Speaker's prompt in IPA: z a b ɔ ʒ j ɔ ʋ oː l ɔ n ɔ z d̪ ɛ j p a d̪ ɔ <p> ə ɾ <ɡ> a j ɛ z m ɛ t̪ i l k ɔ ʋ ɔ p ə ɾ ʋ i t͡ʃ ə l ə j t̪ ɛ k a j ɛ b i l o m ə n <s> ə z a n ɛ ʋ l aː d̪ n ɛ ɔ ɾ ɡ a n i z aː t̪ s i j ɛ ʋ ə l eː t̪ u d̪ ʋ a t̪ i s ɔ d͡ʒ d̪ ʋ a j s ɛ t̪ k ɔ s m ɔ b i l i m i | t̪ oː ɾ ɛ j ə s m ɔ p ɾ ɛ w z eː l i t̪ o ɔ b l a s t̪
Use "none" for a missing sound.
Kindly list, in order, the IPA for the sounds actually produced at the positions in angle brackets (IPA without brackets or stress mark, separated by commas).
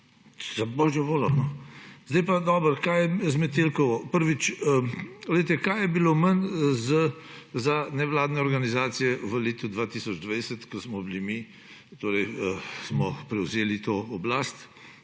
b, k, z